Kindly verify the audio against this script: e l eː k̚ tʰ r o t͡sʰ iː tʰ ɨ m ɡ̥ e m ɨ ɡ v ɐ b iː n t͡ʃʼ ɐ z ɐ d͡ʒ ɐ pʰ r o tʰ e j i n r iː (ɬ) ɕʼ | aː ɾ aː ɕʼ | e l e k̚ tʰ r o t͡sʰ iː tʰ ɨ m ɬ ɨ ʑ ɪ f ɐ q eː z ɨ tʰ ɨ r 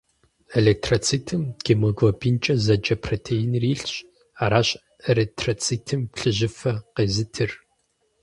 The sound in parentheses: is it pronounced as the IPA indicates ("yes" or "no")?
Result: yes